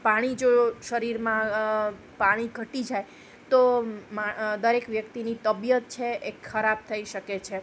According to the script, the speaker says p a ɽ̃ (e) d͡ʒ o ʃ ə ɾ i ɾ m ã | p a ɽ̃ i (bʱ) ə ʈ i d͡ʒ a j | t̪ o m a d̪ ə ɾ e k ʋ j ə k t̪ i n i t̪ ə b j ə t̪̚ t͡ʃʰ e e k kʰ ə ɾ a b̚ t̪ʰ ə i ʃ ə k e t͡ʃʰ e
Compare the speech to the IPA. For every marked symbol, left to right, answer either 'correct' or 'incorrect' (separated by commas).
incorrect, incorrect